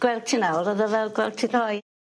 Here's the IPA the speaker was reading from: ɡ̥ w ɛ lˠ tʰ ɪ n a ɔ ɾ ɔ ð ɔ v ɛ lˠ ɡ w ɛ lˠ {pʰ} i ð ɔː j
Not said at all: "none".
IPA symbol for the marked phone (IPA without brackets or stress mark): tʰ